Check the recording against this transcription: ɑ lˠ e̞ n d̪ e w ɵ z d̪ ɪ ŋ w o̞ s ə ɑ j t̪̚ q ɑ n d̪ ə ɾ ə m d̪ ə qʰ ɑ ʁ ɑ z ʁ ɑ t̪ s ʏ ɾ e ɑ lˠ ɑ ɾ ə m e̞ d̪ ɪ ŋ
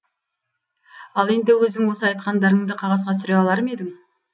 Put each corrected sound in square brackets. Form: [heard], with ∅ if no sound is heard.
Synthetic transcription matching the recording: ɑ lˠ e̞ n d̪ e w ɵ z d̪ ɪ ŋ w o̞ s ə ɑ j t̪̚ q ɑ n d̪ [ɑ] ɾ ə [ɴ] d̪ ə qʰ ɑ ʁ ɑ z ʁ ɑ t̪ s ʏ ɾ e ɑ lˠ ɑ ɾ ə m e̞ d̪ ɪ ŋ